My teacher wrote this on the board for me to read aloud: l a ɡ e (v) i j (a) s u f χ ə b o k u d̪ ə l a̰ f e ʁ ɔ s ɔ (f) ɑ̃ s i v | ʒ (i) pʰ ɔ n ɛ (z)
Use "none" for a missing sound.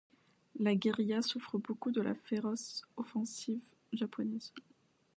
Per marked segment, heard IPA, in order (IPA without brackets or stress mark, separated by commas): ʁ, a, f, a, z